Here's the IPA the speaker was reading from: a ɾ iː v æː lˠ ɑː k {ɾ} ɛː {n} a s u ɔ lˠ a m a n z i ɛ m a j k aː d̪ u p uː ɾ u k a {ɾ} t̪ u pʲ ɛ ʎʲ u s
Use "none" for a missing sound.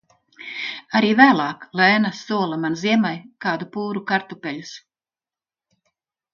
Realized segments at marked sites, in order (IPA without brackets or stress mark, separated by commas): l, n, ɾ